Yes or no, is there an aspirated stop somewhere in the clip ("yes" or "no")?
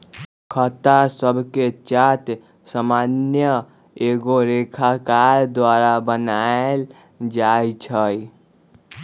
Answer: yes